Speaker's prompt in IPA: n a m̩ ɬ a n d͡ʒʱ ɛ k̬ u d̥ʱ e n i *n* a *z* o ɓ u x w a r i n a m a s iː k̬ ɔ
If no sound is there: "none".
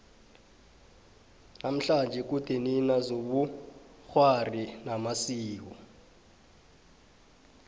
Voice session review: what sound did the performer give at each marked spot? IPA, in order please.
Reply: n, z

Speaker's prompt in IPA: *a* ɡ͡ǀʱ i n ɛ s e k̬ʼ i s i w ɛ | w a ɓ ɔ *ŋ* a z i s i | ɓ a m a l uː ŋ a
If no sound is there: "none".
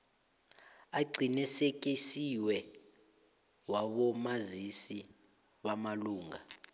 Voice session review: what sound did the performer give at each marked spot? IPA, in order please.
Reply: a, m

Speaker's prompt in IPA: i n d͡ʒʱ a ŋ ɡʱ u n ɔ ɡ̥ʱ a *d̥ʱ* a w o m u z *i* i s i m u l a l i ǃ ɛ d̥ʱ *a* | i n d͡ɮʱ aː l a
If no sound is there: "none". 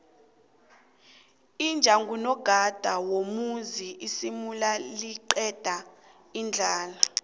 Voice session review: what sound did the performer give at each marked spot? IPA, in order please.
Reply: d̥ʱ, i, a

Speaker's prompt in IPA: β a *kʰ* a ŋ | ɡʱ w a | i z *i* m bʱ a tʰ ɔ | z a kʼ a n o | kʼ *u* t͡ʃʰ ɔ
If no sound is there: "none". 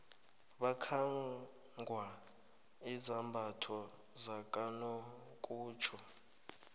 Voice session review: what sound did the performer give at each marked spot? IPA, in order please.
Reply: kʰ, a, uː

